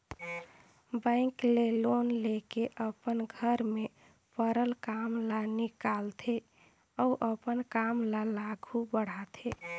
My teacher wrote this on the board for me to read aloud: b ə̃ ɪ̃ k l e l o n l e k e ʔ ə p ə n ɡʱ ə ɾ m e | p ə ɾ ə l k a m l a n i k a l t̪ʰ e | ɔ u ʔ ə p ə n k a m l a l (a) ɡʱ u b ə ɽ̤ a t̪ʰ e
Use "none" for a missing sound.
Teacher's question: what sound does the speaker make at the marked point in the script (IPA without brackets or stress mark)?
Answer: a